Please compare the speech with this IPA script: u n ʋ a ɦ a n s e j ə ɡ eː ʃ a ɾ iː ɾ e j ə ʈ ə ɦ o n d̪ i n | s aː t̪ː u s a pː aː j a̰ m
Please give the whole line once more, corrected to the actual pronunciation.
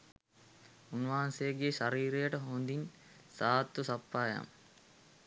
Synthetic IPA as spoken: u n ʋ a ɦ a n s e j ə ɡ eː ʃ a ɾ iː ɾ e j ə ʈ ə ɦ o n d̪ i n | s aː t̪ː u s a pː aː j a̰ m